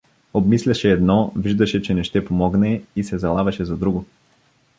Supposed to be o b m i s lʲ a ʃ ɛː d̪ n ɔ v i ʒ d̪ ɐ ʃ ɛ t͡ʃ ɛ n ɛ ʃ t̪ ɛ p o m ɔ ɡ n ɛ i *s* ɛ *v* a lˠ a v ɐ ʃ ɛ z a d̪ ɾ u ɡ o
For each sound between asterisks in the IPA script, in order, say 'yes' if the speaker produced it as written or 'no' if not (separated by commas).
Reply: yes, no